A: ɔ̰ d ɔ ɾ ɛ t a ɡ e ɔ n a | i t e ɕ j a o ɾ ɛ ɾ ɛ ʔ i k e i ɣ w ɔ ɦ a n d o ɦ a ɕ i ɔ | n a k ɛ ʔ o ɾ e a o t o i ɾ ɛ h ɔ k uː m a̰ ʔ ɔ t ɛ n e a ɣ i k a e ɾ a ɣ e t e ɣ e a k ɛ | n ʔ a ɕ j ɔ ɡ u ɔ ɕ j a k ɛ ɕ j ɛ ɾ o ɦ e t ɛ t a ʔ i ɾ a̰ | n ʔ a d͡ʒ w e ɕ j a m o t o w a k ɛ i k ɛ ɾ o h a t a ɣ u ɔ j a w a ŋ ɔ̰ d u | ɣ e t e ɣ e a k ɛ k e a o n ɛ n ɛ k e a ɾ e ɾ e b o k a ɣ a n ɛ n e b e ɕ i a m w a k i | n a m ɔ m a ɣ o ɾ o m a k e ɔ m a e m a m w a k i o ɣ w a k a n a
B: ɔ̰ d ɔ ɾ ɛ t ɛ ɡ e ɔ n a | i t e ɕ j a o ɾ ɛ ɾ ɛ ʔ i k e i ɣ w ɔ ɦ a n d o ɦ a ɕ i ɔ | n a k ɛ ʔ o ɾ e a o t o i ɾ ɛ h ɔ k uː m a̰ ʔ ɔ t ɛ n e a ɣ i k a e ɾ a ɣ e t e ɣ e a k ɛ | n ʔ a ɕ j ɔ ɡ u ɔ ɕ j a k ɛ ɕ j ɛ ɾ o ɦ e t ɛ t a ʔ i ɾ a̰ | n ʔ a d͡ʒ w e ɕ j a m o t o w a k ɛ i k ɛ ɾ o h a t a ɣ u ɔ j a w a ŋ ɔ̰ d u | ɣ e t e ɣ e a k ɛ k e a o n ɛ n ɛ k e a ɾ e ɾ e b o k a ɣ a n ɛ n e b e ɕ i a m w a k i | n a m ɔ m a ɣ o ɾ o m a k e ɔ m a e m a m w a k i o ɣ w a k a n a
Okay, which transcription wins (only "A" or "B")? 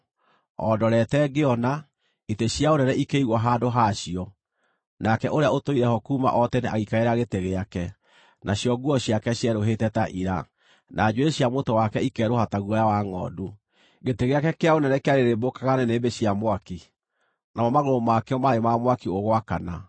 B